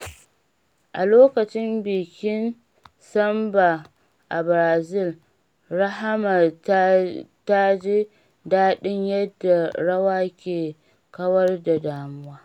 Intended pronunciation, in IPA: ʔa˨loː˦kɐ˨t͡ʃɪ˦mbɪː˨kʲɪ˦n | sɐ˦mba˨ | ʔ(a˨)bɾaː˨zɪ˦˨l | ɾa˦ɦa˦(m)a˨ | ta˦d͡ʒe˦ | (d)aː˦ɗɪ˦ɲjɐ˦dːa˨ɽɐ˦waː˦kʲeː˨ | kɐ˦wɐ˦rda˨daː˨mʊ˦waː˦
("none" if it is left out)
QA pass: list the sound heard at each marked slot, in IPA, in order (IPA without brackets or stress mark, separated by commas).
a˨, m, d